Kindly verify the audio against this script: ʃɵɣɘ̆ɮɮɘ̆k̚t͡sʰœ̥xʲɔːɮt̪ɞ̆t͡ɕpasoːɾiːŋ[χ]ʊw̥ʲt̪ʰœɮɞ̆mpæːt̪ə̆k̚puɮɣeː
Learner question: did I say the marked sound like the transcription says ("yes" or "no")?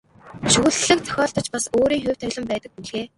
no